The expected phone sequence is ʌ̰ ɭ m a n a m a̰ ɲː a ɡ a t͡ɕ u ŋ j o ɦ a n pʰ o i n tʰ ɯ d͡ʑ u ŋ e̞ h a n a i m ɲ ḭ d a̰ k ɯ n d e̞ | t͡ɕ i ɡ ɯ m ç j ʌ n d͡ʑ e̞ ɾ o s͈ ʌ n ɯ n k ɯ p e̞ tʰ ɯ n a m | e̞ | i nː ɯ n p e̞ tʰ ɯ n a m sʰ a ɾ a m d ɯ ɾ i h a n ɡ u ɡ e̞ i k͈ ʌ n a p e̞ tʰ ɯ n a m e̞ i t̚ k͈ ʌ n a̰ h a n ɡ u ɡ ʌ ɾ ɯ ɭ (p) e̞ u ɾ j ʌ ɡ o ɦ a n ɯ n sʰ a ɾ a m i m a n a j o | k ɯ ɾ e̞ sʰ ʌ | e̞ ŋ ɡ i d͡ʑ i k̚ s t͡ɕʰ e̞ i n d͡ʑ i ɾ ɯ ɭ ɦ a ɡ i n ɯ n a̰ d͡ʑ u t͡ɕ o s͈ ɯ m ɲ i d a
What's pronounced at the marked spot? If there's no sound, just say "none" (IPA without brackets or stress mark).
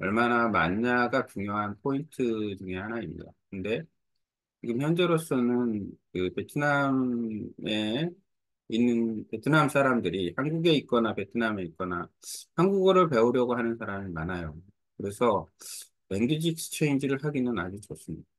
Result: p